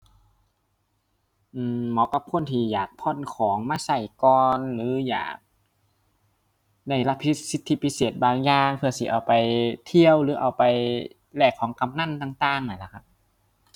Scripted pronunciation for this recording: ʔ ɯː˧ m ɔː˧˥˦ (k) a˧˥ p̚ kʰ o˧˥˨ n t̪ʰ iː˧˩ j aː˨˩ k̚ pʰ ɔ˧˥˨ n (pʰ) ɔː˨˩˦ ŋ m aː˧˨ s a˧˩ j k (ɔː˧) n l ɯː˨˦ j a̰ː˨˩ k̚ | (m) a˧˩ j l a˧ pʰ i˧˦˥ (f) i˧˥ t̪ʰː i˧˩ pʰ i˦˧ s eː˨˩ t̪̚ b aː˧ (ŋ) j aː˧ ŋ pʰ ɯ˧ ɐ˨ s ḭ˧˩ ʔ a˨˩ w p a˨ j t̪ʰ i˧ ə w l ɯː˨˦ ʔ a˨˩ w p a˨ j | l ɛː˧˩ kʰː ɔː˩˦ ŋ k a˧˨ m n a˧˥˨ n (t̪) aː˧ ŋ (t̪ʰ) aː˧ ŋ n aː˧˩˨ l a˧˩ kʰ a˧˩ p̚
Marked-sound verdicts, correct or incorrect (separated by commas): correct, incorrect, correct, incorrect, incorrect, correct, correct, incorrect